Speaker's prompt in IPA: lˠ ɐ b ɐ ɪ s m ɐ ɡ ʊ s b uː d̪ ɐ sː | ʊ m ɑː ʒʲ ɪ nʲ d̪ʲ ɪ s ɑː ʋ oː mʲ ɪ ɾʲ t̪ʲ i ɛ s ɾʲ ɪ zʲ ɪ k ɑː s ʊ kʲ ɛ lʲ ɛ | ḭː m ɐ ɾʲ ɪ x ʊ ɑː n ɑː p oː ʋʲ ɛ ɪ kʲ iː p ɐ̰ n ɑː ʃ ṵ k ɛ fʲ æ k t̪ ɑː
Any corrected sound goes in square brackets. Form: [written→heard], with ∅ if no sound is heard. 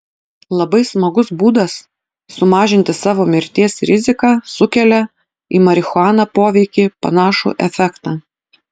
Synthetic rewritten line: lˠ ɐ b ɐ ɪ s m ɐ ɡ ʊ s b uː d̪ ɐ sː | ʊ m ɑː ʒʲ ɪ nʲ [d̪ʲ→t̪ʲ] ɪ s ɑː ʋ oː mʲ ɪ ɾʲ t̪ʲ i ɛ s ɾʲ ɪ zʲ ɪ k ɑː s ʊ kʲ ɛ lʲ ɛ | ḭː m ɐ ɾʲ ɪ x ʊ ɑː n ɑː p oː ʋʲ ɛ ɪ kʲ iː p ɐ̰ n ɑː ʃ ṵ [k→ʔ] ɛ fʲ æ k t̪ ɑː